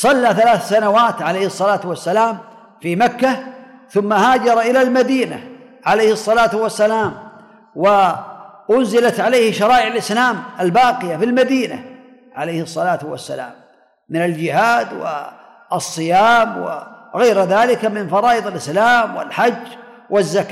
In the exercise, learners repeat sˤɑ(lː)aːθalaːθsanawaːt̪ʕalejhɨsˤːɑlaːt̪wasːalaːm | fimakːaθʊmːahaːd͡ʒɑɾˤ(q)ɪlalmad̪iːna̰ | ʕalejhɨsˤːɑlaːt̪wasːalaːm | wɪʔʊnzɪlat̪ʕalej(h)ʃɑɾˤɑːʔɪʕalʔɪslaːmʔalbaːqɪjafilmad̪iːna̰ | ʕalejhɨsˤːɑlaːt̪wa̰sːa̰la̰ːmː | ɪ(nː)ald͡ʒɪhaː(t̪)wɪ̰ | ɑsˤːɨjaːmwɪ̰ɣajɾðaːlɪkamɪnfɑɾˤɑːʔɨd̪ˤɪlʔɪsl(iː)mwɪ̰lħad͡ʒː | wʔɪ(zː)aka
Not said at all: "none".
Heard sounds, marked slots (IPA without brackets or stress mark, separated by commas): lː, ʔ, h, n, d̪, aː, zː